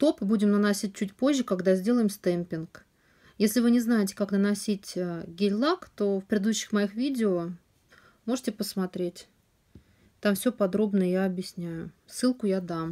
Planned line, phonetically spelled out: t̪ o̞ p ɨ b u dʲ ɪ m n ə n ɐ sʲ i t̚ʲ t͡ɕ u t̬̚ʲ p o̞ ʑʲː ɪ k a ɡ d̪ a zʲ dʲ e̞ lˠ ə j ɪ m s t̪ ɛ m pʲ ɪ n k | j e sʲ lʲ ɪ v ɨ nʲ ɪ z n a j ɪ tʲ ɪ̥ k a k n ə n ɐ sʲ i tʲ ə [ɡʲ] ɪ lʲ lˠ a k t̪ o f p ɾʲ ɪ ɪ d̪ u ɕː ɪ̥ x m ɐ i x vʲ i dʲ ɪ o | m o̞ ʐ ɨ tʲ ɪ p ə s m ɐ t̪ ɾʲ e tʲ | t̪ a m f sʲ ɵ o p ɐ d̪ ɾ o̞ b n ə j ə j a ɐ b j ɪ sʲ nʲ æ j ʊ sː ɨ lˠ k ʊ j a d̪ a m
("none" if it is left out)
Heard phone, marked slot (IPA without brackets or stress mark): ɡʲ